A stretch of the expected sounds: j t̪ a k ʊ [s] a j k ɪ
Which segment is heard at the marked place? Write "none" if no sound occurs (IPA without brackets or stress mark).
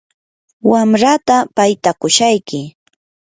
ʃ